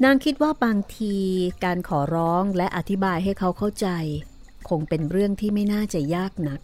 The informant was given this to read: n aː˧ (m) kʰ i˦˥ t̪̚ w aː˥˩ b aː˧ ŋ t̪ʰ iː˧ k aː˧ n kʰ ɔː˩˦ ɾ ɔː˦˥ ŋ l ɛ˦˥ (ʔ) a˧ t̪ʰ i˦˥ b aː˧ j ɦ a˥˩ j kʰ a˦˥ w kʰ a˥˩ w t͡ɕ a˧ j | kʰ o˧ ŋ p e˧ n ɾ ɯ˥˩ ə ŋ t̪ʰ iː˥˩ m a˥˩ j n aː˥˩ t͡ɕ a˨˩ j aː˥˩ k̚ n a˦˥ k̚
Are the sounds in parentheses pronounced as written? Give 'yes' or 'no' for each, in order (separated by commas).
no, yes